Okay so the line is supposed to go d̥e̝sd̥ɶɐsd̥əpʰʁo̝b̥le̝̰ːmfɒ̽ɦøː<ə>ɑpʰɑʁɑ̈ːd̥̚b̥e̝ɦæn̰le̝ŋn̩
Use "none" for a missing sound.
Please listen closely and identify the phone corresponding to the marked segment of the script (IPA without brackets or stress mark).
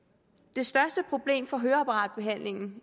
ɐ